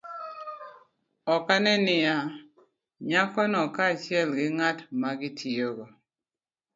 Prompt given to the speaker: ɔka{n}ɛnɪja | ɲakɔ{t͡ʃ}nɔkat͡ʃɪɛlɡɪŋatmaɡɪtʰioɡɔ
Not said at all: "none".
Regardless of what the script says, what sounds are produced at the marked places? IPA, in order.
n, none

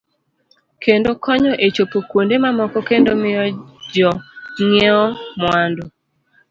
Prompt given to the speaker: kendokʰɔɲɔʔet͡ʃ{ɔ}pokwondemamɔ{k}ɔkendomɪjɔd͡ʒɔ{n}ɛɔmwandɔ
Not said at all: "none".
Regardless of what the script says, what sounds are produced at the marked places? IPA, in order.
o, k, ŋ

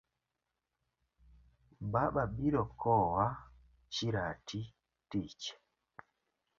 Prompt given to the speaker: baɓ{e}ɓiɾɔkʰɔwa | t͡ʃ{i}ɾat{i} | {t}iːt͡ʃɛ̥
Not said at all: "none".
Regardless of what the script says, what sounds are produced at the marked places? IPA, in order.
a, i, i, t

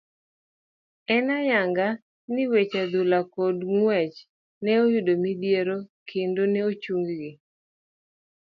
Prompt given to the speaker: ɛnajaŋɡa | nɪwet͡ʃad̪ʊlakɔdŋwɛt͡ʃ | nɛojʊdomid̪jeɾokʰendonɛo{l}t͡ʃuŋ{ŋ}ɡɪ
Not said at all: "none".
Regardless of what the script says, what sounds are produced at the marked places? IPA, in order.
none, ɡ

